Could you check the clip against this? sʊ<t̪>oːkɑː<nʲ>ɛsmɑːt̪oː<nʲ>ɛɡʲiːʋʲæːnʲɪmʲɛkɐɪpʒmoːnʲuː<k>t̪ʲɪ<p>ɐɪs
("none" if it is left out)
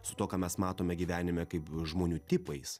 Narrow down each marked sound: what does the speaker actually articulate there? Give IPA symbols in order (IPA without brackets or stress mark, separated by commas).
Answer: t̪, mʲ, mʲ, none, p